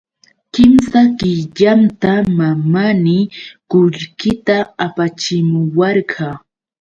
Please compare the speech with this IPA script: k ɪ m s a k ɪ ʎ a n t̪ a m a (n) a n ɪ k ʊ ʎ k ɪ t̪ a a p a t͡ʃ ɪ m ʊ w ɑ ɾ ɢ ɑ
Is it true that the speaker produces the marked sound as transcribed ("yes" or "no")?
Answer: no